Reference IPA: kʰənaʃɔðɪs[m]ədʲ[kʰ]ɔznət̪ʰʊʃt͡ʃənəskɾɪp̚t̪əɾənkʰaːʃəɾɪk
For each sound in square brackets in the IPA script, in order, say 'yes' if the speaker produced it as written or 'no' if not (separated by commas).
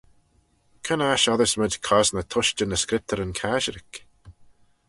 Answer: yes, yes